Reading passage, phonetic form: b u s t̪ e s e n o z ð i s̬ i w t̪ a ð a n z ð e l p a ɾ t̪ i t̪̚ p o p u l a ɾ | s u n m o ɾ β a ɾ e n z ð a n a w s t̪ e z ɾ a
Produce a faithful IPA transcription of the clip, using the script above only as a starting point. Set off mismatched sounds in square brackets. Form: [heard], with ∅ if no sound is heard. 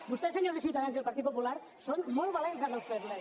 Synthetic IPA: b u s t̪ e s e [ɲ] o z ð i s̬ i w t̪ a ð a n z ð e l p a ɾ t̪ i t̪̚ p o p u l a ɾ | s [o] n m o [l] β a [l] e n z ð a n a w s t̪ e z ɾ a

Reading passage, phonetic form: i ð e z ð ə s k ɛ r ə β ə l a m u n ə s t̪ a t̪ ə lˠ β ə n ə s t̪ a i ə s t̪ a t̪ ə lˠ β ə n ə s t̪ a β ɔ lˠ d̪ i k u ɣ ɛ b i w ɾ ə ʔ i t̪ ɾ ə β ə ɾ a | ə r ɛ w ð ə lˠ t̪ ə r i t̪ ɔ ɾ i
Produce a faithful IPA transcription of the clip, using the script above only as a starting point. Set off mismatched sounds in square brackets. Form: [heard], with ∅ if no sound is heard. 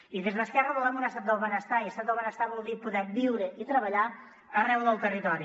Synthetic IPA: i ð e z ð ə s k ɛ r ə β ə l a m u n ə s t̪ a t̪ ə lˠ β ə n ə s t̪ a i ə s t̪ a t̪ ə lˠ β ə n ə s t̪ a β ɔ lˠ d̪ i [p] u [ð] ɛ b i w ɾ ə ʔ i t̪ ɾ ə β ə [ʎ] a | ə r ɛ w ð ə lˠ t̪ ə r i t̪ ɔ ɾ i

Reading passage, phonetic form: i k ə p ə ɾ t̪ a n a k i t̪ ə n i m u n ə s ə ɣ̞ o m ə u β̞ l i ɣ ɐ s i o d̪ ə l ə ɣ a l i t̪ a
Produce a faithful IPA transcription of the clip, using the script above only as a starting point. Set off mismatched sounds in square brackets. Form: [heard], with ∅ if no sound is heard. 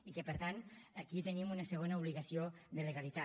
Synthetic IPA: i k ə p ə ɾ t̪ a n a k i t̪ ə n i m u n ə s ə ɣ̞ o [n] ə u β̞ l i ɣ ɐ s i o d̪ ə l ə ɣ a l i t̪ a

